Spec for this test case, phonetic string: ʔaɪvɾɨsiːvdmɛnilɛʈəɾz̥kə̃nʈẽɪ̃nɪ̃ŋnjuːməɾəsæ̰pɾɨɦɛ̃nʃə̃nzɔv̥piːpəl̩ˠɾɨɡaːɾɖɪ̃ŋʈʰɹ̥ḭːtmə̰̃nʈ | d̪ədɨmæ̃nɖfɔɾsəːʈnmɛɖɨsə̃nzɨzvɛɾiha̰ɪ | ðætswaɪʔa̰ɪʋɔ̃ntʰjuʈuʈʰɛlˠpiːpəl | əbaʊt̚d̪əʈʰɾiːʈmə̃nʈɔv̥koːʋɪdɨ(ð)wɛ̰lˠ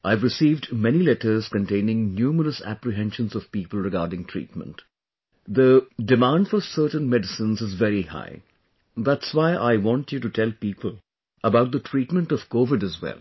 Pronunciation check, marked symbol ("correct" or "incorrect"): incorrect